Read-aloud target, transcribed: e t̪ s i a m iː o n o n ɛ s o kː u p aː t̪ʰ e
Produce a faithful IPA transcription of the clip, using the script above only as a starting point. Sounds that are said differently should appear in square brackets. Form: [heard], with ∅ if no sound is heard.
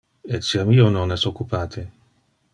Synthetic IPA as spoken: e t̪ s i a m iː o n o n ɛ s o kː u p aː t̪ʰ e